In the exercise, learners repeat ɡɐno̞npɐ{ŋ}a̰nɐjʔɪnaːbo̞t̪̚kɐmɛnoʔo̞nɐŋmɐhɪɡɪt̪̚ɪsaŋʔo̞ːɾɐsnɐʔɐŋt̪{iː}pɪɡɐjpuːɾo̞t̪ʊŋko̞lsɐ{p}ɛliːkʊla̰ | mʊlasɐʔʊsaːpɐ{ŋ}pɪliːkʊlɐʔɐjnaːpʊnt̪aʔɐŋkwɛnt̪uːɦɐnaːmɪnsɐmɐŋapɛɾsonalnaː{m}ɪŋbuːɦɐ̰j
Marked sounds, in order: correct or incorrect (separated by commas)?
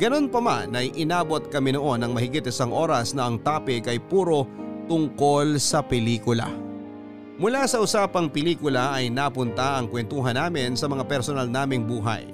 incorrect, incorrect, correct, correct, correct